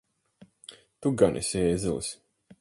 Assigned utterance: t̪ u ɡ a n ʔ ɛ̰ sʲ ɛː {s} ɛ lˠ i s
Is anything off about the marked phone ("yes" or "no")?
yes